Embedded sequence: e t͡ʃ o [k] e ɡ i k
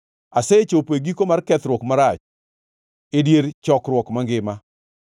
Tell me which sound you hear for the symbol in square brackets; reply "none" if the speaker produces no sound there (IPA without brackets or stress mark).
p